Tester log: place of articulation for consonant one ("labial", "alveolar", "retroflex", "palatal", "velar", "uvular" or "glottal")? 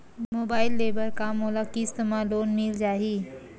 labial